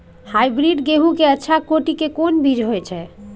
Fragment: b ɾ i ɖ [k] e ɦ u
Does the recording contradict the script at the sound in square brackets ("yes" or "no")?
yes